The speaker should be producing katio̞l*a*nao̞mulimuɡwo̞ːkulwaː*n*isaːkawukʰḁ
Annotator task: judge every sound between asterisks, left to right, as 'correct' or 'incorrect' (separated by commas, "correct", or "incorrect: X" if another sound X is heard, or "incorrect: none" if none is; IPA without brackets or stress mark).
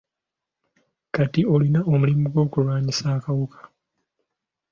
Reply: incorrect: i, incorrect: ɲ